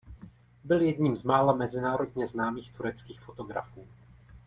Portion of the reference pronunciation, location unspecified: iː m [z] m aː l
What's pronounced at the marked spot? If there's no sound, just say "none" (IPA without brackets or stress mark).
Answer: z